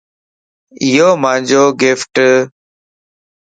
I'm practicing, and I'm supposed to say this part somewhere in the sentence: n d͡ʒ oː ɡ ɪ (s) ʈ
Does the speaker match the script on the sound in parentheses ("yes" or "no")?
no